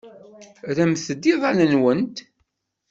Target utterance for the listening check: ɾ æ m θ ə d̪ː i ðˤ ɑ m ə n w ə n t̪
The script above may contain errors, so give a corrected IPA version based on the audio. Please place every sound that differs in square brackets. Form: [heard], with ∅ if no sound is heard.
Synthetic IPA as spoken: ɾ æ m θ ə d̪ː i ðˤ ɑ [n] ə n w ə n t̪